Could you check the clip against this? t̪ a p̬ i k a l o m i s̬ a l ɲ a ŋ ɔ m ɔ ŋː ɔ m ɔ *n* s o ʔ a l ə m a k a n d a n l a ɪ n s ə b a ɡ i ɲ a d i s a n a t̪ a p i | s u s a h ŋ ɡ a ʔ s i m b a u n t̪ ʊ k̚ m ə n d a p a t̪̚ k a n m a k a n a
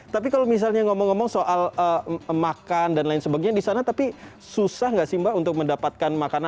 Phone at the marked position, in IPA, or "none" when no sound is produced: ŋ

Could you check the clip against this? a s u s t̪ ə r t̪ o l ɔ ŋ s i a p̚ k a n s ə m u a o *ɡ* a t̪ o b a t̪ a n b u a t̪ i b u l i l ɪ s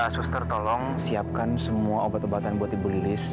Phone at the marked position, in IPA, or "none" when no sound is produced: b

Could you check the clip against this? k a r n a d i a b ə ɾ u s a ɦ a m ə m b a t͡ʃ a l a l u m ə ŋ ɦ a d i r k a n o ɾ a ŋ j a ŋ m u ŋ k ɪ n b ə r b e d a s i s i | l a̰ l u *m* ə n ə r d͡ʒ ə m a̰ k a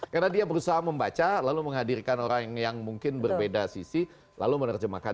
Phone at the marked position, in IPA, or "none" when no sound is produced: m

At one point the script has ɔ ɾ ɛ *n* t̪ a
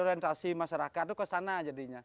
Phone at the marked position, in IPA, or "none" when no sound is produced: n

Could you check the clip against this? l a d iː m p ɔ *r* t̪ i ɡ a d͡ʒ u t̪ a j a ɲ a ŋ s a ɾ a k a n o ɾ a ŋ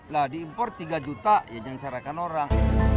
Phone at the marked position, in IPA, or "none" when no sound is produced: r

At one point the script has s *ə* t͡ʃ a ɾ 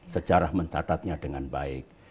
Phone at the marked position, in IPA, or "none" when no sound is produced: ə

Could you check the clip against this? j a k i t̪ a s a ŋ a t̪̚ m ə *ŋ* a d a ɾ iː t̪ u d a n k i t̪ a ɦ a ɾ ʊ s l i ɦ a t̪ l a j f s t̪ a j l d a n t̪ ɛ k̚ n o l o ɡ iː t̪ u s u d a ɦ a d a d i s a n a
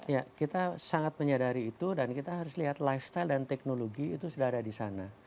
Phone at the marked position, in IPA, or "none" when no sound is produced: ɲ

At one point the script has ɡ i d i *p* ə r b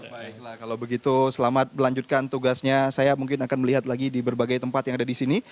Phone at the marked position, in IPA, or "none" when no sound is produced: b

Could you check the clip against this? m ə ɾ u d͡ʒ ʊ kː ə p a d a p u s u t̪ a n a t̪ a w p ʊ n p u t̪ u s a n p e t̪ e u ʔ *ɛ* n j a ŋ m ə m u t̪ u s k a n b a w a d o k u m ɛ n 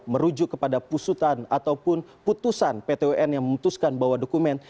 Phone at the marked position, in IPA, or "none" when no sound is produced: ɛ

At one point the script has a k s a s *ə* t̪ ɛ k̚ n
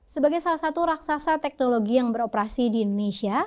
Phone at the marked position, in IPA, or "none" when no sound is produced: a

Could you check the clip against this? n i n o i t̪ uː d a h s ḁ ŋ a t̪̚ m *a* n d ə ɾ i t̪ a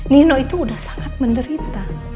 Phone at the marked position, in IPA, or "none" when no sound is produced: ə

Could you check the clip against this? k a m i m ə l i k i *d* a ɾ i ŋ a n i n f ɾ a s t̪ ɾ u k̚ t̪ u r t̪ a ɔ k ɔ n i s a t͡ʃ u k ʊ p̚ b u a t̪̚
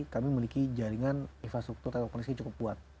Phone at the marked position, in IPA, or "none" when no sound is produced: d͡ʒ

